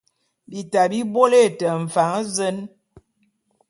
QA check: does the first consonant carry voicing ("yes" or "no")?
yes